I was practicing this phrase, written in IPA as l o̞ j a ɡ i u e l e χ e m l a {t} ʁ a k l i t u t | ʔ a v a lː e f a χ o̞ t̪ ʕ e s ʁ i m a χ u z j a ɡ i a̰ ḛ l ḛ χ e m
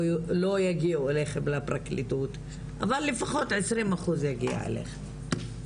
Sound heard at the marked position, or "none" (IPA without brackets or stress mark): p